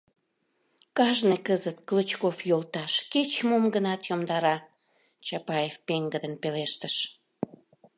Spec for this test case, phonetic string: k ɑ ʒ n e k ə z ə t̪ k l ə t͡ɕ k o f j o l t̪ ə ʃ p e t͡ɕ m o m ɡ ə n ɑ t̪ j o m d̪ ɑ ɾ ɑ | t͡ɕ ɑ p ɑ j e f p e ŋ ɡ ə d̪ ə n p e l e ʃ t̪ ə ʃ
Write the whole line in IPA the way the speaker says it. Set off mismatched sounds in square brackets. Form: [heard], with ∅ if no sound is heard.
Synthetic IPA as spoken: k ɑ ʒ n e k ə z ə t̪ k l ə t͡ɕ k o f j o l t̪ [ɑ] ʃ [k] e t͡ɕ m o m ɡ ə n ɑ t̪ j o m d̪ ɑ ɾ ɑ | t͡ɕ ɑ p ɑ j e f p e ŋ ɡ ə d̪ ə n p e l e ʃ t̪ ə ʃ